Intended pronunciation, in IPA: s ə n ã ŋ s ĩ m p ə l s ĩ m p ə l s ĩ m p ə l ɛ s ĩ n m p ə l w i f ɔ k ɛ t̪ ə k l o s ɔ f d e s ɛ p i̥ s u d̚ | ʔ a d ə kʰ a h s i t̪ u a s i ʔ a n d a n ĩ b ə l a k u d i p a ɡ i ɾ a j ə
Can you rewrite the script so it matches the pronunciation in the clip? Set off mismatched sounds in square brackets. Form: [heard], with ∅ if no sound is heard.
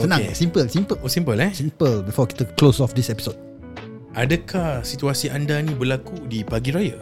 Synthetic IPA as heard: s ə n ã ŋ s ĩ m p ə l s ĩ m p ə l s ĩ m p ə l ɛ s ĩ [∅] m p ə l [b] i f ɔ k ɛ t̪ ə k l o s ɔ f d [i] s ɛ p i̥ s [o] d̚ | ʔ a d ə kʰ a h s i t̪ u a s i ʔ a n d a n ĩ b ə l a k u d i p a ɡ i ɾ a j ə